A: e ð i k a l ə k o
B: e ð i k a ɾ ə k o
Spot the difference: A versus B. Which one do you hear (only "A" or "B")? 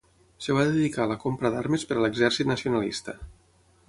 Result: A